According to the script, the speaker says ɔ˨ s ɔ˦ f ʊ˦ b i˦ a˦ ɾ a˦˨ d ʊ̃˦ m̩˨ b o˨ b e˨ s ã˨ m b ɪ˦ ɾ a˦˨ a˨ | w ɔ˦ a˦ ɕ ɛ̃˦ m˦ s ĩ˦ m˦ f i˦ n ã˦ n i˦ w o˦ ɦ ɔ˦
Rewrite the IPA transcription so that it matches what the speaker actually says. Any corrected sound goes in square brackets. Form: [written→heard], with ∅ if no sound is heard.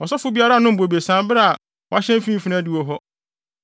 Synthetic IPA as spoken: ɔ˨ s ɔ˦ f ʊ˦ b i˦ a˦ ɾ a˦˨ [d→n] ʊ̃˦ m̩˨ b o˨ b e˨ s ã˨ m b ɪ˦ ɾ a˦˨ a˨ | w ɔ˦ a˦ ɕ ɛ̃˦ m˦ [s→f] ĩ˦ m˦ f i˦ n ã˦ [n→d] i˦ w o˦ ɦ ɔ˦

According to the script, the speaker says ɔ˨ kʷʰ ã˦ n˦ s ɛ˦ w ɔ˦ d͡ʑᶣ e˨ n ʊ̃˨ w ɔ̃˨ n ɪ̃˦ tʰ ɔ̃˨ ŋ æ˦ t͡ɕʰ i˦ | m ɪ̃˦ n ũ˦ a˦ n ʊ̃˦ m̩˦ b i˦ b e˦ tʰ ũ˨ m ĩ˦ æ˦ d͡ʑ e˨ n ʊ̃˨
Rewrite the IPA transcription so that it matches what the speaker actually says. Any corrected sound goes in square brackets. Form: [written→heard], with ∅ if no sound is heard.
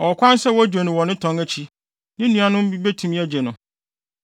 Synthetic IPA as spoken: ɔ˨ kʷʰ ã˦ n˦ s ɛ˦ w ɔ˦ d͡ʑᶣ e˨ n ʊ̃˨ w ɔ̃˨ n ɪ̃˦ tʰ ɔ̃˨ ŋ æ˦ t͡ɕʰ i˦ | [m→n] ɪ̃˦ n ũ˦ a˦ n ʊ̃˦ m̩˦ b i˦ b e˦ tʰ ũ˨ m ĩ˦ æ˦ d͡ʑ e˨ n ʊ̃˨

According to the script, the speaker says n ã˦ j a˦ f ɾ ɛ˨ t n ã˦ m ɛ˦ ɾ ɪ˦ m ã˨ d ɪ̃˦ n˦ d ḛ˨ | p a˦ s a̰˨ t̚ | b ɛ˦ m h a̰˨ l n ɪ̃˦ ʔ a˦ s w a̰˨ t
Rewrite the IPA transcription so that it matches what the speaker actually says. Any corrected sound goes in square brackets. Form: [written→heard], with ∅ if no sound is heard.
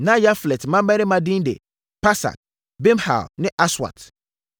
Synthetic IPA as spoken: n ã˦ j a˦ f [ɾ→l] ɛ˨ t [n→m] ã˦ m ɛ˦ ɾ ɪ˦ m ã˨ d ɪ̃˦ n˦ d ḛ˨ | p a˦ s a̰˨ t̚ | b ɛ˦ m h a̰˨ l n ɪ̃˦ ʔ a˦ s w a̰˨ t

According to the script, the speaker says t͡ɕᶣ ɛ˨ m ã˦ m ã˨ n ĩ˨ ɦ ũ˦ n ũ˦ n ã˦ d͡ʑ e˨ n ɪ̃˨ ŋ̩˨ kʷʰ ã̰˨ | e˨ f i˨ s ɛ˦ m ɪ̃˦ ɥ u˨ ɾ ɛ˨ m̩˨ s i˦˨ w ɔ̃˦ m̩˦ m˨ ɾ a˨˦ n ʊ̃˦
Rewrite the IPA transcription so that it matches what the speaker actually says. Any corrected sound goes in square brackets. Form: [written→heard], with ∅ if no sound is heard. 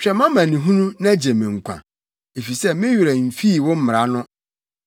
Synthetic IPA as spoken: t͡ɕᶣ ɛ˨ m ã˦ m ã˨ n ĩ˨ ɦ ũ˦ n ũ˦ n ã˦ d͡ʑ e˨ [n→m] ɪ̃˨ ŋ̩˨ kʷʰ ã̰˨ | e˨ f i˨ s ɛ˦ m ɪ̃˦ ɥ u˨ ɾ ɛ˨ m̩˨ [s→f] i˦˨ w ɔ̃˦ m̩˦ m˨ ɾ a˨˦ n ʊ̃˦

